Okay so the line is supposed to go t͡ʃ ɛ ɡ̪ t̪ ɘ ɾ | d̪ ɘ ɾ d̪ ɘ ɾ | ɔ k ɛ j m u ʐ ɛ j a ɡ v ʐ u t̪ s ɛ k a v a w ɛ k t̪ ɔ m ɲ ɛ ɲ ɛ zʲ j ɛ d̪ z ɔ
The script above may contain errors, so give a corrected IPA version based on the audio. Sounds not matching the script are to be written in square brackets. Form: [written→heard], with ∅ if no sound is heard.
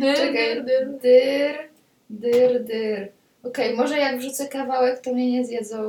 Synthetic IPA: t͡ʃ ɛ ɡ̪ [t̪→d̪] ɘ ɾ | d̪ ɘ ɾ d̪ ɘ ɾ | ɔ k ɛ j m [u→ɔ] ʐ ɛ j a ɡ v ʐ u t̪ s ɛ k a v a w ɛ k t̪ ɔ m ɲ ɛ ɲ ɛ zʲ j ɛ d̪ z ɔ